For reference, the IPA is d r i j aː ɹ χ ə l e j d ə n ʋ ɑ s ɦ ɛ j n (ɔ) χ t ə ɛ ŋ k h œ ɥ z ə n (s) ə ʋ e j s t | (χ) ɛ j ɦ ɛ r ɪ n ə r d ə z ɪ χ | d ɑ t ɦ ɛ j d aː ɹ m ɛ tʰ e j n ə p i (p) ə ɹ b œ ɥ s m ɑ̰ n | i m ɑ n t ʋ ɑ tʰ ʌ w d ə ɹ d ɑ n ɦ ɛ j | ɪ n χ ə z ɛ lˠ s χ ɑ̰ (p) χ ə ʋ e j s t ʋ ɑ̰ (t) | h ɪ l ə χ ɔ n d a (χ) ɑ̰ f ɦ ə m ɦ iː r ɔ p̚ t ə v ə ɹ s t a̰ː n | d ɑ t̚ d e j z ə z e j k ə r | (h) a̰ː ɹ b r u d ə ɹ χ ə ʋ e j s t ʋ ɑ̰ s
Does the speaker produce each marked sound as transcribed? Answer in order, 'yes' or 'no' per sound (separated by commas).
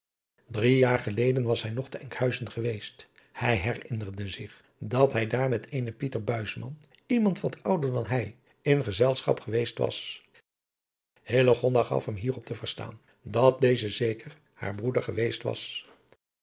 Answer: yes, no, no, no, yes, no, yes, yes